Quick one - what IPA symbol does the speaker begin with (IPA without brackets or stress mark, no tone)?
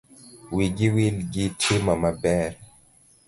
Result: w